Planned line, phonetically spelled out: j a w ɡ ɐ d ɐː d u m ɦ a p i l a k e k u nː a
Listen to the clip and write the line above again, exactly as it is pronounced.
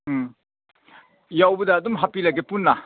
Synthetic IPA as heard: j a w b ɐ d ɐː d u m ɦ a p i l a ɡ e p u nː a